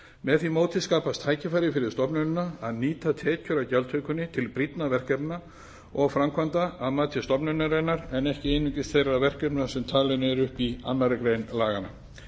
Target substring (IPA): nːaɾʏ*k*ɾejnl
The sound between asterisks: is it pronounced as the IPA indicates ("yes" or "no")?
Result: yes